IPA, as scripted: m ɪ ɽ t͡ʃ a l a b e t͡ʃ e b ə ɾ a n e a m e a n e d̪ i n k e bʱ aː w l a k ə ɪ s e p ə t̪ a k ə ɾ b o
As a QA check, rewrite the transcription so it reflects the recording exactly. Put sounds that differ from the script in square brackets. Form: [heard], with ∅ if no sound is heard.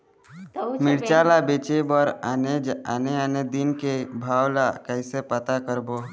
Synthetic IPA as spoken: m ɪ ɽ t͡ʃ a l a b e t͡ʃ e b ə ɾ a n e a [n] e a n e d̪ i n k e bʱ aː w l a k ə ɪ s e p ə t̪ a k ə ɾ b o